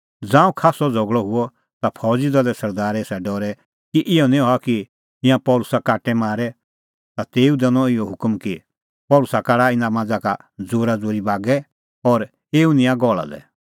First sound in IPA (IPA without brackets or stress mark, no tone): d͡z